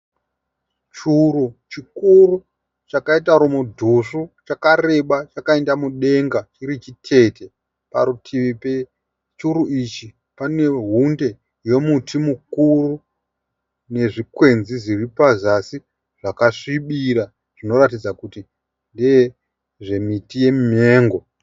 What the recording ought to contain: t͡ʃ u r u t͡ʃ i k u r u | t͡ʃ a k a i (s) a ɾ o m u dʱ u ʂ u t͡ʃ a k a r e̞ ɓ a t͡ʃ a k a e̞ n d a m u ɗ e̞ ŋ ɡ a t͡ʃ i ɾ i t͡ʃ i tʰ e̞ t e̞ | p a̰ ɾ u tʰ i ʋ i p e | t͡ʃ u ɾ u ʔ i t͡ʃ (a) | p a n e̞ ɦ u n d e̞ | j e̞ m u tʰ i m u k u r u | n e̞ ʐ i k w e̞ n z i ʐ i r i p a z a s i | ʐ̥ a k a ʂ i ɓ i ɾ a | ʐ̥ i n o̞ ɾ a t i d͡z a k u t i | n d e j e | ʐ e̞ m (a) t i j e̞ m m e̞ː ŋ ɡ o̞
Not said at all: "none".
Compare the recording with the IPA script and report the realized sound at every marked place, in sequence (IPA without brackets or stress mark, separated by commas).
t, i, i